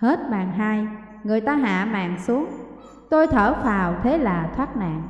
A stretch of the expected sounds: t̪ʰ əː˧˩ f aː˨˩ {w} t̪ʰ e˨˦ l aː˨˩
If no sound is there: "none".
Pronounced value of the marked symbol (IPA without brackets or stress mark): w